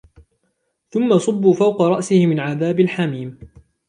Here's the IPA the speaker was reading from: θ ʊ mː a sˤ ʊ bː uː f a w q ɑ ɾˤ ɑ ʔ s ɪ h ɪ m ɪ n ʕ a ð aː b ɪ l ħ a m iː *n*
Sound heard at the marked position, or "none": m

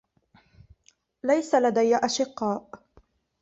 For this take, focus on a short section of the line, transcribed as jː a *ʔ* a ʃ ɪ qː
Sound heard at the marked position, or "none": ʔ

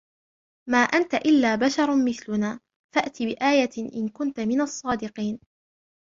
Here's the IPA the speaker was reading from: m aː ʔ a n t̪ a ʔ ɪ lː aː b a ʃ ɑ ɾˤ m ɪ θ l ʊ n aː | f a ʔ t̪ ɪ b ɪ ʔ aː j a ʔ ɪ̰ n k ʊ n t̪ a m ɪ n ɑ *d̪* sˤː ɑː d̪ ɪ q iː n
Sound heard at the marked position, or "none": none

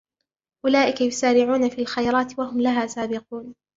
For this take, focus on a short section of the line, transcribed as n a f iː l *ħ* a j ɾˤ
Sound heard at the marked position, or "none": x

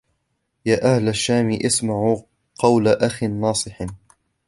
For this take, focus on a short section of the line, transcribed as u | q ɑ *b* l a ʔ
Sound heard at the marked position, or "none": w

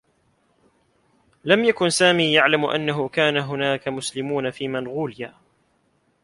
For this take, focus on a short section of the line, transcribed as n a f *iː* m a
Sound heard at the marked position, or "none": iː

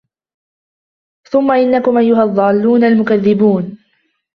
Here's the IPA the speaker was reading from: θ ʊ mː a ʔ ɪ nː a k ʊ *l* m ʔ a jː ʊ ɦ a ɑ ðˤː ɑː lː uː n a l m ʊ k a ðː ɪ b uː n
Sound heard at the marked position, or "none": none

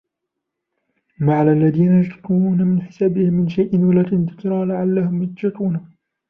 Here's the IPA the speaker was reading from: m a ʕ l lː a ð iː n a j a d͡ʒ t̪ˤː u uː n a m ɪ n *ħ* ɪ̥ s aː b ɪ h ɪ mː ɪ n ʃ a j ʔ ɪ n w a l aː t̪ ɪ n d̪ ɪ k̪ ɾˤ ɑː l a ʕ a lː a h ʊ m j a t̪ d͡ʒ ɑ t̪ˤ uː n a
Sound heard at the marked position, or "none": ħ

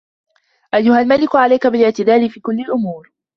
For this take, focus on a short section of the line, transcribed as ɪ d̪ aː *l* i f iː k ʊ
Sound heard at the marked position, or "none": l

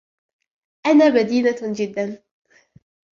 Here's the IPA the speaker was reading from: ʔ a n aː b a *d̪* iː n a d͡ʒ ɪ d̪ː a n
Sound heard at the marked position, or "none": d̪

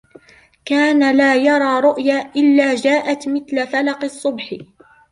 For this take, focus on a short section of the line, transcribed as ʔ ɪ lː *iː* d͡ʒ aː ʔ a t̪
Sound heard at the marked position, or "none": aː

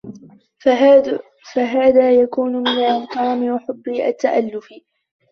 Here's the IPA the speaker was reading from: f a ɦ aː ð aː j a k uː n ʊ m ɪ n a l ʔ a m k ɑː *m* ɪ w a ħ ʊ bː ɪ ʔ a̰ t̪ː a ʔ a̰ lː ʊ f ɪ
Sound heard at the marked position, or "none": m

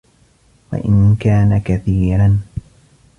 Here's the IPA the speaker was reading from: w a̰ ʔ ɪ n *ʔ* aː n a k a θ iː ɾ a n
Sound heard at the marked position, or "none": k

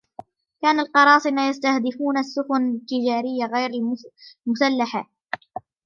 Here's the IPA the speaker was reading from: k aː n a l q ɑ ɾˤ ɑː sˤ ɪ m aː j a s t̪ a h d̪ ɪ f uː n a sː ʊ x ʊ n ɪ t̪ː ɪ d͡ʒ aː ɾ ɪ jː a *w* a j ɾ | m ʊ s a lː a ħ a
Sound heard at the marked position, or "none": ɣ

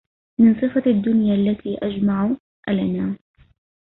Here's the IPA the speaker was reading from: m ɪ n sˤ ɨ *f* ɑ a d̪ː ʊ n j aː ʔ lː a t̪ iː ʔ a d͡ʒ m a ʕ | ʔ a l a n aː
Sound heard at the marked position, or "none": f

